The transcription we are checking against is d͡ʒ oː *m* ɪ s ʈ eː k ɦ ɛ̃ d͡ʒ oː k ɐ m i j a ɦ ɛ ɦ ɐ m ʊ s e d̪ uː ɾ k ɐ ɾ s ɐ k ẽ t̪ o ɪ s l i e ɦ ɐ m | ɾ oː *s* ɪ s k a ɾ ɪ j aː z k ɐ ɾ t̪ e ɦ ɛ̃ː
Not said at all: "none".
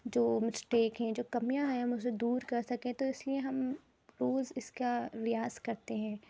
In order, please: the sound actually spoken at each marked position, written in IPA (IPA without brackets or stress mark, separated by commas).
m, z